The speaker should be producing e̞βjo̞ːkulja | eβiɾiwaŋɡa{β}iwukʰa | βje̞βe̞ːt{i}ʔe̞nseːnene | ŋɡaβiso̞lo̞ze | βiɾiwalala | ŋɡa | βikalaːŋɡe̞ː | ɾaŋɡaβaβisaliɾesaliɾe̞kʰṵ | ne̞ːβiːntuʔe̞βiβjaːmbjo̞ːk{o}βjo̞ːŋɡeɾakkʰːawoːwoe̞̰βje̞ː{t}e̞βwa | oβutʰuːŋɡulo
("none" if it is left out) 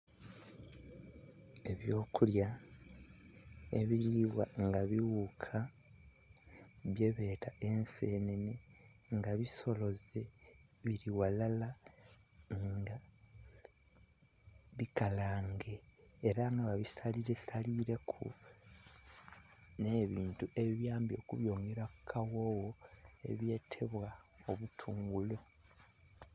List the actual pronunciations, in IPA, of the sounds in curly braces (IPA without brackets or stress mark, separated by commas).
β, a, u, tʰ